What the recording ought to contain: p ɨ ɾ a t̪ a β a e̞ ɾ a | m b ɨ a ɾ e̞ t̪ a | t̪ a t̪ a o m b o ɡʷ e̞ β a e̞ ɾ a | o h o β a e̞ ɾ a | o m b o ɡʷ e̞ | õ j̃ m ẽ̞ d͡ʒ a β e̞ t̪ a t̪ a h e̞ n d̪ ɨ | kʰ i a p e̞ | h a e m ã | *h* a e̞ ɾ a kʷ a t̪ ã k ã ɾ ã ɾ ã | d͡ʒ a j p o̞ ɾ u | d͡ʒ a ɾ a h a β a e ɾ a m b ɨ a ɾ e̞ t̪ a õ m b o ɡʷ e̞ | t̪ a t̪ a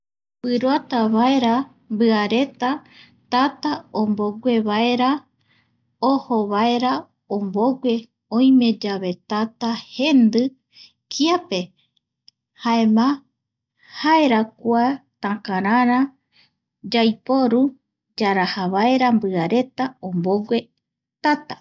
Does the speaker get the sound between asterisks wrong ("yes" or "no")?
no